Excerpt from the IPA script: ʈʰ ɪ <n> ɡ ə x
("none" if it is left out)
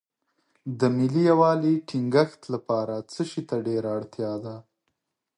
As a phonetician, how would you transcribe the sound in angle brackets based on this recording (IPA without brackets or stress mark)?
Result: ŋ